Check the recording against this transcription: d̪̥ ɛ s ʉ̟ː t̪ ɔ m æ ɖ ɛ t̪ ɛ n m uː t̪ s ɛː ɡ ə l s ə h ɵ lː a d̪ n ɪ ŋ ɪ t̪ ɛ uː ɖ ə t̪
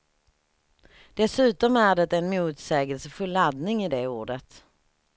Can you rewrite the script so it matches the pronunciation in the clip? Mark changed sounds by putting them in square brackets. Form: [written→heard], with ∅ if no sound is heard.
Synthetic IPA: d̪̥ ɛ s ʉ̟ː t̪ ɔ m æ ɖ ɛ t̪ ɛ n m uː t̪ s ɛː ɡ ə l s ə [h→f] ɵ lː a d̪ n ɪ ŋ ɪ [t̪→d̪] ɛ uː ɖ ə t̪